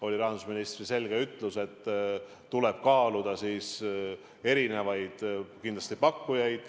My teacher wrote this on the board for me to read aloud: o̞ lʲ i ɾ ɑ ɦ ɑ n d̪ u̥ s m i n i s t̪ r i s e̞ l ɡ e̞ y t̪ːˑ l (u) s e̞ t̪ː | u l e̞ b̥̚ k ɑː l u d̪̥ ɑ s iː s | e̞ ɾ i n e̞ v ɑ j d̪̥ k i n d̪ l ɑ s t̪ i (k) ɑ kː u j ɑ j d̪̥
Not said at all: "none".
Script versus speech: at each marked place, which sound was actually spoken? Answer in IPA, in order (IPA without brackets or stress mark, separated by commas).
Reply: u, p